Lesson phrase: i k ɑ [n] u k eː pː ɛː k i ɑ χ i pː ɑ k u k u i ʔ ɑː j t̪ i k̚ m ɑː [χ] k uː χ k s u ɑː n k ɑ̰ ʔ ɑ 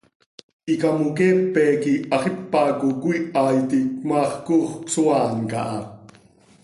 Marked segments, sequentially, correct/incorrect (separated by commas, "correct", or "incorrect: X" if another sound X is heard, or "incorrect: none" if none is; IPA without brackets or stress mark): incorrect: m, correct